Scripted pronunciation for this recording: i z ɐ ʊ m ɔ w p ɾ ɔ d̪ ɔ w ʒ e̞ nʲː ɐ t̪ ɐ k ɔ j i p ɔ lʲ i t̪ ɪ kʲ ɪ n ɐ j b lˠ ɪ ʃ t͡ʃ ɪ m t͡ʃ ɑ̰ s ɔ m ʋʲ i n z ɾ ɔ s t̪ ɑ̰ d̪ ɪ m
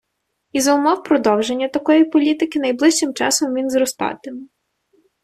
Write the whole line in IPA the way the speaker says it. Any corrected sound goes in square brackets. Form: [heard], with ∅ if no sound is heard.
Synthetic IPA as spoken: i z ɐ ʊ m ɔ w p ɾ ɔ d̪ ɔ w ʒ e̞ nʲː ɐ t̪ ɐ k ɔ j i p ɔ lʲ i t̪ ɪ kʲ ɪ n ɐ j b lˠ ɪ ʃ t͡ʃ ɪ m t͡ʃ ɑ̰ s ɔ m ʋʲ i n z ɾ ɔ s t̪ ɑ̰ [t̪] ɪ m